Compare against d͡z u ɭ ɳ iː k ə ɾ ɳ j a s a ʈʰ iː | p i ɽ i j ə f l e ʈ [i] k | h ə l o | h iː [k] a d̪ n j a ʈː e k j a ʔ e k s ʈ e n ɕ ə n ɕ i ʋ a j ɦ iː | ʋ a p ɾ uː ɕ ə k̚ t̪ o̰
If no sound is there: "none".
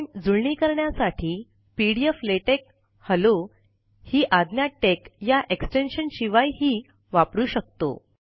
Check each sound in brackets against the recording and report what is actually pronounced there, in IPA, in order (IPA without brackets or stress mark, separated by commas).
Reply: e, ʔ